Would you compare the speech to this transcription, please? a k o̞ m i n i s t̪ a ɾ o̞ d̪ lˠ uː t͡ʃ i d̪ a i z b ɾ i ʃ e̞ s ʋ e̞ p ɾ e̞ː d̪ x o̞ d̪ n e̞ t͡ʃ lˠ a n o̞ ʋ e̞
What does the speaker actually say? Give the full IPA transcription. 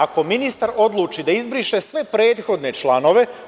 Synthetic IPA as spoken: a k o̞ m i n i s t̪ a ɾ o̞ d̪ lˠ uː t͡ʃ i d̪ a i z b ɾ i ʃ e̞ s ʋ e̞ p ɾ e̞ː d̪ x o̞ d̪ n e̞ t͡ʃ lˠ a n o̞ ʋ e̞